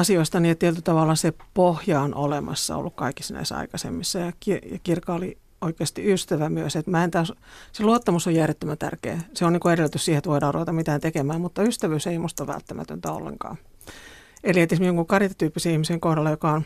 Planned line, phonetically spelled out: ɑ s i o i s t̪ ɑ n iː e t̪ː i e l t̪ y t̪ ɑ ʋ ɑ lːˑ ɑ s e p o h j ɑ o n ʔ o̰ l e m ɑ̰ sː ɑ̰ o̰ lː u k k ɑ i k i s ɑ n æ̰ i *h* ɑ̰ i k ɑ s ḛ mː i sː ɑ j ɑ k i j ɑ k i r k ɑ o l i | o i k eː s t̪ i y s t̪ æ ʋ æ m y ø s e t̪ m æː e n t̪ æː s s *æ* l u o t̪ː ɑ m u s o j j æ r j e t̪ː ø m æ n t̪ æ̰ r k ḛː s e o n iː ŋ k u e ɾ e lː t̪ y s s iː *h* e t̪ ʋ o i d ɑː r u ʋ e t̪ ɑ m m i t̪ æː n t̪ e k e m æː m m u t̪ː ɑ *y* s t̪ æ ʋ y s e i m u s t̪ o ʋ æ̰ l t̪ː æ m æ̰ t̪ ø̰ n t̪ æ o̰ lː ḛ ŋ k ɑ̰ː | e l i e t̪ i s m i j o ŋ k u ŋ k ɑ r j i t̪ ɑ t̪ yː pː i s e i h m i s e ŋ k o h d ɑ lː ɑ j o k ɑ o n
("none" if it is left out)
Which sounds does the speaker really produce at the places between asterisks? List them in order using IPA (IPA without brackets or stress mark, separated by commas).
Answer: s, e, h, y